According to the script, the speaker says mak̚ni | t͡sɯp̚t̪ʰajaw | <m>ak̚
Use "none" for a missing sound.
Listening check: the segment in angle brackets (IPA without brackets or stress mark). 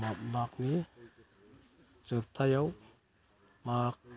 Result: m